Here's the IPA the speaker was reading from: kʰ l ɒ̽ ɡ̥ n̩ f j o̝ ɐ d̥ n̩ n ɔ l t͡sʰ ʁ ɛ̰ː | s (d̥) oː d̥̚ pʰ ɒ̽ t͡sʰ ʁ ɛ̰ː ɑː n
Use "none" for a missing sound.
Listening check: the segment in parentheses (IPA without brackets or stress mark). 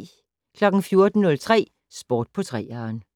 b̥